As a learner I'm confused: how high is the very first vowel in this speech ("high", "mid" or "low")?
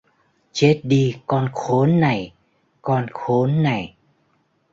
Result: mid